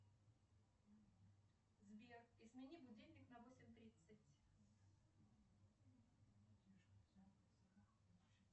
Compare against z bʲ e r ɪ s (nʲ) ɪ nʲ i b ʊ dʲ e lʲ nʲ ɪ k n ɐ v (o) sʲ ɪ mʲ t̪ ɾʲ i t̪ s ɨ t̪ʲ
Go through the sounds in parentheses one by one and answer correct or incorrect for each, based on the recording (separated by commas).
incorrect, correct